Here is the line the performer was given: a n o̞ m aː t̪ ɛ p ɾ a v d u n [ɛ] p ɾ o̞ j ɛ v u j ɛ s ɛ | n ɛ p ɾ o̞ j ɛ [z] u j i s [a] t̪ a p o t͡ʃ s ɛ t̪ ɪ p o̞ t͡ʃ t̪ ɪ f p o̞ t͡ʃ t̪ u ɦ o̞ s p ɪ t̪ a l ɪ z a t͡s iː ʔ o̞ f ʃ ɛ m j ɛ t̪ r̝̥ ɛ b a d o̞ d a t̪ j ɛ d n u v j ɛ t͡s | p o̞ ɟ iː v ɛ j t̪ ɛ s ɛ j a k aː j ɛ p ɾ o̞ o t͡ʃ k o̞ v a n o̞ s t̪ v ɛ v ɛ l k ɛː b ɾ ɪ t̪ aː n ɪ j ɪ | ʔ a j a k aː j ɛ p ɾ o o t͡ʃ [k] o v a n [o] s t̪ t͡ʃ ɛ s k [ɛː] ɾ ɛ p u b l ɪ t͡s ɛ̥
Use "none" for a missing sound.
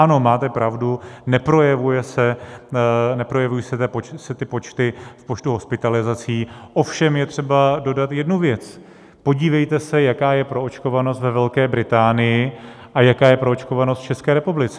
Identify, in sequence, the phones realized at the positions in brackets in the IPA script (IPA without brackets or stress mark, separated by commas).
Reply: ɛ, v, ɛ, k, o, ɛː